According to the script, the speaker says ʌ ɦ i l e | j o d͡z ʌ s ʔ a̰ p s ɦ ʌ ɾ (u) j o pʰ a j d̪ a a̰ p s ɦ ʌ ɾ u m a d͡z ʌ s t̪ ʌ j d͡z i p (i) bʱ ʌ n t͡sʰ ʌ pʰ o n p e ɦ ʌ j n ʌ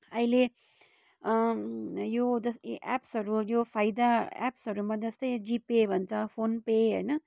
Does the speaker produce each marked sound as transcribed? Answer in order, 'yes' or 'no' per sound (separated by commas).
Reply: yes, no